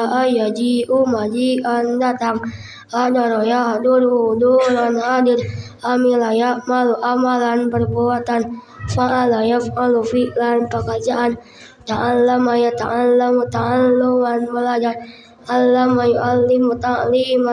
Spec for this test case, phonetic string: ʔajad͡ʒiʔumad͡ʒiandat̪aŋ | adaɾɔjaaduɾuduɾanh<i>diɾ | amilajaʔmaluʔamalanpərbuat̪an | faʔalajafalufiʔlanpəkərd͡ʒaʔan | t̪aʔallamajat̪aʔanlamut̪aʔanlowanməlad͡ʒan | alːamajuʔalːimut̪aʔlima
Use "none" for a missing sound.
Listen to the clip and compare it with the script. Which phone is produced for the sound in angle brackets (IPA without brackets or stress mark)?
a